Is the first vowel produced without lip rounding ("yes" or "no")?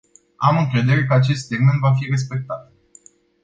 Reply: yes